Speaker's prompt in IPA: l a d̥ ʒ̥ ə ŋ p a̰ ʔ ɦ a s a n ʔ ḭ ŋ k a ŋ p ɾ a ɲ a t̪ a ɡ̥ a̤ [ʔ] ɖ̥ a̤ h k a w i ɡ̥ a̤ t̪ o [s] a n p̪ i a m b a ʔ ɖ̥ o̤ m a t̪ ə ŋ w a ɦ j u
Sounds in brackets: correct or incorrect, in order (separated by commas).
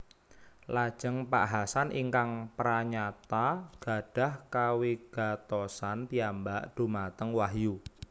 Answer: incorrect, correct